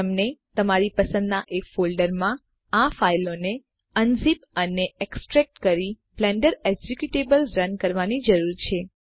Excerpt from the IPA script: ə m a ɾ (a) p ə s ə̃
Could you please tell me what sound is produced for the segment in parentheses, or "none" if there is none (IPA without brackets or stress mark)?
i